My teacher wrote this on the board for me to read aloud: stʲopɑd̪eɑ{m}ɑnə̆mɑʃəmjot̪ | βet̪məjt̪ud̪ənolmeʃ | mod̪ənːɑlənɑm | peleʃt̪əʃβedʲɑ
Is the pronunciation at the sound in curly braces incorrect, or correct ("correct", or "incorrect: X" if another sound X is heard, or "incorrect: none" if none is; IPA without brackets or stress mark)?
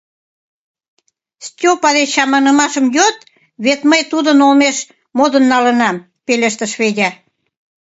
correct